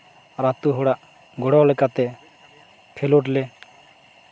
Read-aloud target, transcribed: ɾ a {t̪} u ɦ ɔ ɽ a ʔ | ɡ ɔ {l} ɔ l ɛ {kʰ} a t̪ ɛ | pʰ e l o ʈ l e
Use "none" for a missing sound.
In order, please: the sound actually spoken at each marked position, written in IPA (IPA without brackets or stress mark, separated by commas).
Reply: t̪, ɽ, k